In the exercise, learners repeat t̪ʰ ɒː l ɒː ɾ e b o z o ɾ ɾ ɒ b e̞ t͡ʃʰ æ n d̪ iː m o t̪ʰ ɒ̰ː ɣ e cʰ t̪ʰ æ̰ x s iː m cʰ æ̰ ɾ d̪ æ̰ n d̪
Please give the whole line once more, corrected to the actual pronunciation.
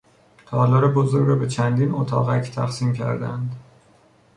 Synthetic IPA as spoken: t̪ʰ ɒː l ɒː ɾ e b o z o ɾ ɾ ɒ b e̞ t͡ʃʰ æ n d̪ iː n o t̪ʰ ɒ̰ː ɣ æ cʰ t̪ʰ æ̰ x s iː m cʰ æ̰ ɾ d̪ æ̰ n d̪